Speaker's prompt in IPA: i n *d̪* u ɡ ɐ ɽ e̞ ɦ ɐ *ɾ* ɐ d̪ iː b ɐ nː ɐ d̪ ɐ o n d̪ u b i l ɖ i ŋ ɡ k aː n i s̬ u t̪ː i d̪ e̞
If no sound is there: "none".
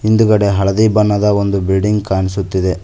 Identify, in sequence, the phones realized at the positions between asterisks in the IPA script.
d̪, ɭ

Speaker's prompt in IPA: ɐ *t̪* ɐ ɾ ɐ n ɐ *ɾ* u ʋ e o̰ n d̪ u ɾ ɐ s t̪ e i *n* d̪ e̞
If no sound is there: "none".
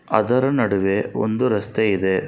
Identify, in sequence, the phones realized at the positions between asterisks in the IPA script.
d̪, ɽ, none

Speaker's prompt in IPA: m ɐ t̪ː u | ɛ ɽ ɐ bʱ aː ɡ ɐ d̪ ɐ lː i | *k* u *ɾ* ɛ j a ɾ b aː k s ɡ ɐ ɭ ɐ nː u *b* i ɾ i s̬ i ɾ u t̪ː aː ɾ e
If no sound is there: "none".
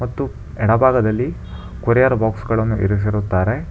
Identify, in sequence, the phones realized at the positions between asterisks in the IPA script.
k, ɾ, none

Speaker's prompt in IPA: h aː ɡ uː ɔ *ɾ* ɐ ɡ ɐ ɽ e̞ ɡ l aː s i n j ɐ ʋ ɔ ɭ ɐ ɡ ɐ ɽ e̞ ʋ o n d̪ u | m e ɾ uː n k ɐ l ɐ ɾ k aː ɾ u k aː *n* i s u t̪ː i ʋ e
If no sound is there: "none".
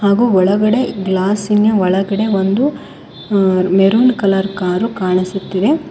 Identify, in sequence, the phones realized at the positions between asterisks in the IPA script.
ɭ, ɳ

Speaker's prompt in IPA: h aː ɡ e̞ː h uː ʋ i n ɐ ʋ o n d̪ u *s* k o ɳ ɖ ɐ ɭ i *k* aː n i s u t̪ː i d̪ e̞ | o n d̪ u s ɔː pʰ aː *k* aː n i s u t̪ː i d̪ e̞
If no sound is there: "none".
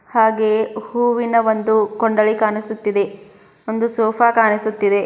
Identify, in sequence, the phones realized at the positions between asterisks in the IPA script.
none, k, k

